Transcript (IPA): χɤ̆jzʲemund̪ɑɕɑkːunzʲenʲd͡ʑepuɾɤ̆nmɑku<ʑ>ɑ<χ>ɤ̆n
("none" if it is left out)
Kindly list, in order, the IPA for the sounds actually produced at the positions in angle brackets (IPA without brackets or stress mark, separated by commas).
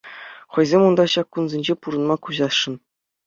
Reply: ʑ, ʂ